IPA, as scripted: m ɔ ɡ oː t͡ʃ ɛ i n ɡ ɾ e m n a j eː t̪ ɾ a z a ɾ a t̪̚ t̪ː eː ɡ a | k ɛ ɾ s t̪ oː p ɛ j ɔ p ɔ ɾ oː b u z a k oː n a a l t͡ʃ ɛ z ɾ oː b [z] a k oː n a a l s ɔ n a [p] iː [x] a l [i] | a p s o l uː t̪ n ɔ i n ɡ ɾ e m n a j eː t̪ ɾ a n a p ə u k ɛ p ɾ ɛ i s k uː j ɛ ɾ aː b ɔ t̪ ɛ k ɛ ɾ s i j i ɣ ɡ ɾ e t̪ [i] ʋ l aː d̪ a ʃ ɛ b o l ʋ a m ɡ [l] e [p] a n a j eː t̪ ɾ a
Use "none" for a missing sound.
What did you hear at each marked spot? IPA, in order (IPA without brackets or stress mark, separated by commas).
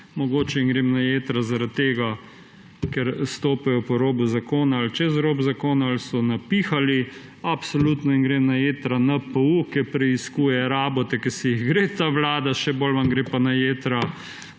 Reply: z, p, x, i, a, ɾ, p